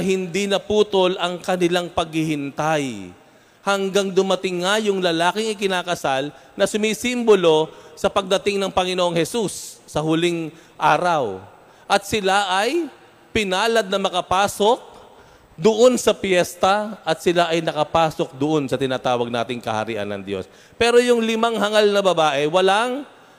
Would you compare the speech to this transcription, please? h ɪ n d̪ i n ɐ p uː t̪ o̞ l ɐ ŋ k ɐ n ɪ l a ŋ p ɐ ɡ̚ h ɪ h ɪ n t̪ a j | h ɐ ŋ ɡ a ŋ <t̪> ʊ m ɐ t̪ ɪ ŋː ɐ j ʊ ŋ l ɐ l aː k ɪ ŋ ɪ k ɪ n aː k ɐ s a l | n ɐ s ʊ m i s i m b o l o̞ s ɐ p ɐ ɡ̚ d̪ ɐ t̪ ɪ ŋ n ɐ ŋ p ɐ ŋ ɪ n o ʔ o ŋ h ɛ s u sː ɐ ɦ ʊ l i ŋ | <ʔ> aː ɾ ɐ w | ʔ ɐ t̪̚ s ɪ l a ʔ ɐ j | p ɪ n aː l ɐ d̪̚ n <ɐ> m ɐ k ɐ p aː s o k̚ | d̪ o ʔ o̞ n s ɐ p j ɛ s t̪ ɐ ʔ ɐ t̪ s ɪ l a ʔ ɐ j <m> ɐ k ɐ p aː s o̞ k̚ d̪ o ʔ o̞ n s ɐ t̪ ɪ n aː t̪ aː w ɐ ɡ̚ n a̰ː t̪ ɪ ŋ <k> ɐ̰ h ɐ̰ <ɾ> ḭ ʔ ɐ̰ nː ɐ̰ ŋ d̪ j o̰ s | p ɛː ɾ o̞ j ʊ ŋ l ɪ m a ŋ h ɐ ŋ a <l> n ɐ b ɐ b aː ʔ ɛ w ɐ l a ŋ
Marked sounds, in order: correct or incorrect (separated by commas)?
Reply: incorrect, correct, correct, incorrect, correct, correct, correct